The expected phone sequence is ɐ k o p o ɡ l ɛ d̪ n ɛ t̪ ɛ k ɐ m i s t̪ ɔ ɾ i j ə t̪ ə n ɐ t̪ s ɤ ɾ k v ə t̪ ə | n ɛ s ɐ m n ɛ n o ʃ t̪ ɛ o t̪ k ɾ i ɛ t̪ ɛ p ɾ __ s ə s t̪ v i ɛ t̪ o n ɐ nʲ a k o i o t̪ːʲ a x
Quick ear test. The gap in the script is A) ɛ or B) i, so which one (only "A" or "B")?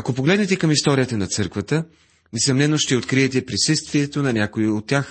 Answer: B